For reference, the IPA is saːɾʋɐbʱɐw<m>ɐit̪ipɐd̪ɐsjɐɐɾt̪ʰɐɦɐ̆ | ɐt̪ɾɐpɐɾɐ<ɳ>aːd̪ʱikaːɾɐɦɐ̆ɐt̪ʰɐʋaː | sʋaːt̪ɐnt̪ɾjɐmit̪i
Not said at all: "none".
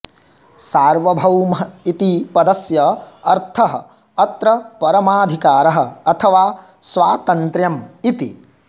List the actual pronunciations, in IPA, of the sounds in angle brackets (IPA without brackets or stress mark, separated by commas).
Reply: m, m